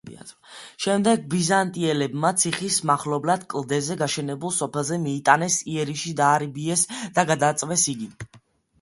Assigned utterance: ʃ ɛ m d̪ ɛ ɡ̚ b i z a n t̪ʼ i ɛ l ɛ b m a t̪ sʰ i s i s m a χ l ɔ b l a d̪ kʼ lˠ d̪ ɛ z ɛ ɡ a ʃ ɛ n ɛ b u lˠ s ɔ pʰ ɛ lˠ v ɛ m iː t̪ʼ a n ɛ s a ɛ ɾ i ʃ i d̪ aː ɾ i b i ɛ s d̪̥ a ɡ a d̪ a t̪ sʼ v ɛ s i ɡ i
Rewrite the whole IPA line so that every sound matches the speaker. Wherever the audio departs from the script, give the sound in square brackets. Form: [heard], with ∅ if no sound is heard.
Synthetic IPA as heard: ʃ ɛ m d̪ ɛ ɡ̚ b i z a n t̪ʼ i ɛ l ɛ b m a t̪ sʰ i [χ] i s m a χ l ɔ b l a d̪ kʼ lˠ d̪ ɛ z ɛ ɡ a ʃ ɛ n ɛ b u lˠ s ɔ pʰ ɛ lˠ [z] ɛ m iː t̪ʼ a n ɛ s [i] ɛ ɾ i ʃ i d̪ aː ɾ i b i ɛ s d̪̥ a ɡ a d̪ a t̪ sʼ v ɛ s i ɡ i

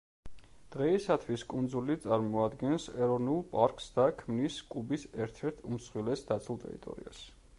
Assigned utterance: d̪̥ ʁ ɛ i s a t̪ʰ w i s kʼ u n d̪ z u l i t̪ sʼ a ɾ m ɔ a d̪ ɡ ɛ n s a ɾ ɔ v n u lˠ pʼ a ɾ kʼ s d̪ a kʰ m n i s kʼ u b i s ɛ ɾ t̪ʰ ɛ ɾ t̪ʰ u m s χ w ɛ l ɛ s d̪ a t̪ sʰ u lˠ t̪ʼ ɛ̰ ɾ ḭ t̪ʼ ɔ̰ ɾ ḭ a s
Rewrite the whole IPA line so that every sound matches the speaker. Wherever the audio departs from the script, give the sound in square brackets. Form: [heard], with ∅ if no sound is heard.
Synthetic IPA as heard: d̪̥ ʁ ɛ i s a t̪ʰ w i s kʼ u n d̪ z u l i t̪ sʼ a ɾ m ɔ a d̪ ɡ ɛ n s [ɛ] ɾ ɔ v n u lˠ pʼ a ɾ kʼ s d̪ a kʰ m n i s kʼ u b i s ɛ ɾ t̪ʰ ɛ ɾ t̪ʰ u m s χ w [i] l ɛ s d̪ a t̪ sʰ u lˠ t̪ʼ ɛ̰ ɾ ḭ t̪ʼ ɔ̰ ɾ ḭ a s

